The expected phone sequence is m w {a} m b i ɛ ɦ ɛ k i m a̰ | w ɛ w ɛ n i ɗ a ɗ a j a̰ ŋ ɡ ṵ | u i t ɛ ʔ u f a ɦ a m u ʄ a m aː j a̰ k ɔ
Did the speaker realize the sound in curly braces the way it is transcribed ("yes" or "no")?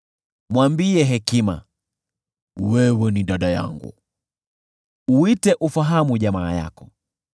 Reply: yes